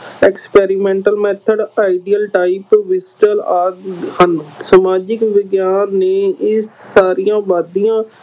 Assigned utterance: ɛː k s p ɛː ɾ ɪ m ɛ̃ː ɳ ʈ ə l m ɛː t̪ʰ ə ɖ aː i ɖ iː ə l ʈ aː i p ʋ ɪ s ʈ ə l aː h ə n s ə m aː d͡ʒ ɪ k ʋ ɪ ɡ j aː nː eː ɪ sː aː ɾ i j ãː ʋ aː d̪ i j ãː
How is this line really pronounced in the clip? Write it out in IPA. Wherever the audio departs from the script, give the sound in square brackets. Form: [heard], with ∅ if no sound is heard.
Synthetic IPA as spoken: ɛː k s p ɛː ɾ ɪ m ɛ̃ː ɳ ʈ ə l m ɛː t̪ʰ ə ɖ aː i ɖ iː ə l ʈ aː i p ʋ ɪ s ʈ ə l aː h ə n s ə m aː d͡ʒ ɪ k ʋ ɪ ɡ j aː nː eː ɪ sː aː ɾ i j ãː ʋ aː d̪ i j ãː